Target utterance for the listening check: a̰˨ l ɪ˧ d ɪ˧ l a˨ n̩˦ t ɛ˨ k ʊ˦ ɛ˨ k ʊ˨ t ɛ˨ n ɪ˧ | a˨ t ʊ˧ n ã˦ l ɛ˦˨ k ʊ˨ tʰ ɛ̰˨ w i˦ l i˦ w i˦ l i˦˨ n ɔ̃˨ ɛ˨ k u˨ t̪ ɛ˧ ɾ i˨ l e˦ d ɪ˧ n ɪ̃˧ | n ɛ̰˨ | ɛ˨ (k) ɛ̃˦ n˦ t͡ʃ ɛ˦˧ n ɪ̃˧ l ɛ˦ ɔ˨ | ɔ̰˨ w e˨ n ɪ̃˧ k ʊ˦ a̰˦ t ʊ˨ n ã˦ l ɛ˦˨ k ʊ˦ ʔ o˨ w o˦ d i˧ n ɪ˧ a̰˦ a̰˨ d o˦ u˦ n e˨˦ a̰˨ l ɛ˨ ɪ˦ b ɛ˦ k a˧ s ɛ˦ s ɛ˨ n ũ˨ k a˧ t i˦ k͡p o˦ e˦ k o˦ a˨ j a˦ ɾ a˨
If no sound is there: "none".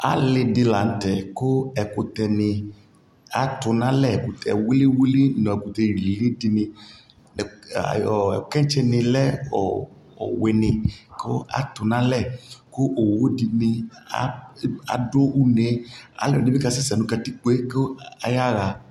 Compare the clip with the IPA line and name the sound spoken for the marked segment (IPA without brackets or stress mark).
k